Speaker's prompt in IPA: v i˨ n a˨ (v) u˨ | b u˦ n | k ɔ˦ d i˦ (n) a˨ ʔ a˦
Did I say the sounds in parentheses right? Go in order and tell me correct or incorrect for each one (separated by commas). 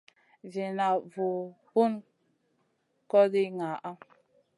correct, incorrect